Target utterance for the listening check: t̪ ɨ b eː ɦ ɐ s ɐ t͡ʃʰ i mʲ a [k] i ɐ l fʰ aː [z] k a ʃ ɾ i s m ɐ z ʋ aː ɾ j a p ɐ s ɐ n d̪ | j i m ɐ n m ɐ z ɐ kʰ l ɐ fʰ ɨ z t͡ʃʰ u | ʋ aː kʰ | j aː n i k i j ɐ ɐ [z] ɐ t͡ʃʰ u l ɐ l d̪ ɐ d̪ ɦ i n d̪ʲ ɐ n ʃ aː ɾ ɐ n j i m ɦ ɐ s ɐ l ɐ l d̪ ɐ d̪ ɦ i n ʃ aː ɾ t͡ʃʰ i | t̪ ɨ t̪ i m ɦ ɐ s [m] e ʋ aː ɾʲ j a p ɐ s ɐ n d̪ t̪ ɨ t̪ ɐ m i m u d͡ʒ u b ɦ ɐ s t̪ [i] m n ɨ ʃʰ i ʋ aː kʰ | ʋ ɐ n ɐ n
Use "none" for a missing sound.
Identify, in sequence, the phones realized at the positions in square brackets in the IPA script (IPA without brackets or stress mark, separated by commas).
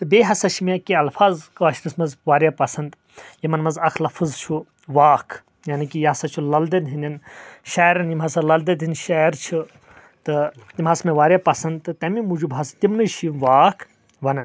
k, z, s, m, i